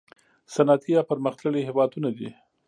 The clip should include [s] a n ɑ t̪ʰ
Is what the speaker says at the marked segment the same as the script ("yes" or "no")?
yes